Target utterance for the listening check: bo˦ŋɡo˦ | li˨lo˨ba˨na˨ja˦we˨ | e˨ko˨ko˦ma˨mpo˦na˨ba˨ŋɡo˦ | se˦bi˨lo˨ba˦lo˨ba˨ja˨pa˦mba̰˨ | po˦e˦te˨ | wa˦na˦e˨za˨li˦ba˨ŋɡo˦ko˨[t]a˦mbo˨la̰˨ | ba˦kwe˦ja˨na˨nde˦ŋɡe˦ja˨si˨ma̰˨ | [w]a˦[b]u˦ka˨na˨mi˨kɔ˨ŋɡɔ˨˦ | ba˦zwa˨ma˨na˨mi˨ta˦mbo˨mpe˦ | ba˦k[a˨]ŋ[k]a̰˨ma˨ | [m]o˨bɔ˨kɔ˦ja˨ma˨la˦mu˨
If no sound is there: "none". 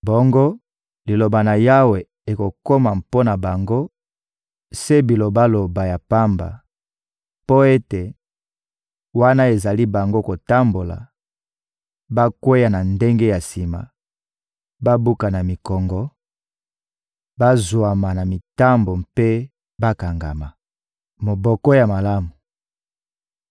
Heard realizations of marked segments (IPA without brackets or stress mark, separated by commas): t, b, b, a˨, ɡ, m